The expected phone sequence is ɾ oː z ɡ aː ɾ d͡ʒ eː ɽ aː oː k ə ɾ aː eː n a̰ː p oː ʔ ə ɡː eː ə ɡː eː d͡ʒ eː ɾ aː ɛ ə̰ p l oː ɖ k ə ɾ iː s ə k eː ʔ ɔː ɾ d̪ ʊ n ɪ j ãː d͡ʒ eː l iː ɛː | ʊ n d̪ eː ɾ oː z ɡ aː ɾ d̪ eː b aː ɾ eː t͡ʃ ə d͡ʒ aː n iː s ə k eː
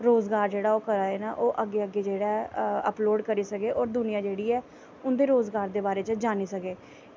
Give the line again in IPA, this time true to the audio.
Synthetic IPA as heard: ɾ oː z ɡ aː ɾ d͡ʒ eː ɽ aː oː k ə ɾ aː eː n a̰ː ʔ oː ʔ ə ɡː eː ə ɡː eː d͡ʒ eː ɽ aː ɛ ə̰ p l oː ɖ k ə ɾ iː s ə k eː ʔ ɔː ɾ d̪ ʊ n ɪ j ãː d͡ʒ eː ɽ iː ɛː | ʊ n d̪ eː ɾ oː z ɡ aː ɾ d̪ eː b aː ɾ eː t͡ʃ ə d͡ʒ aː n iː s ə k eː